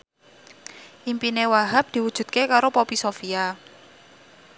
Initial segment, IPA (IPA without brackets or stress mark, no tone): ʔ